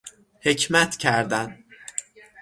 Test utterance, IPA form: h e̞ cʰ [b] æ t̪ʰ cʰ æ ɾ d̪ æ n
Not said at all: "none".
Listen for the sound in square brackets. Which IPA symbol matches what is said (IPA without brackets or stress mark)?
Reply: m